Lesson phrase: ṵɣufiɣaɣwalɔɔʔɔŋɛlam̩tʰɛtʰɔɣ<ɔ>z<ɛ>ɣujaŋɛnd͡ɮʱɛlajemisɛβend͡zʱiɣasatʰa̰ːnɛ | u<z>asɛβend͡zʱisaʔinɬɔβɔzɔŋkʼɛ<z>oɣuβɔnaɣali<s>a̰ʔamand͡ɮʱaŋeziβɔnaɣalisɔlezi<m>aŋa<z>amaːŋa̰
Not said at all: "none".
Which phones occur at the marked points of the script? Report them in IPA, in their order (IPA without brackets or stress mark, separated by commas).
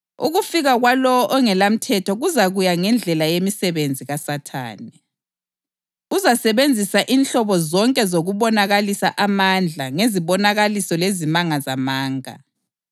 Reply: u, a, z, z, s, m, z